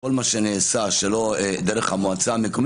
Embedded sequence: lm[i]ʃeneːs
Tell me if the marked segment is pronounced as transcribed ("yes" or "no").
no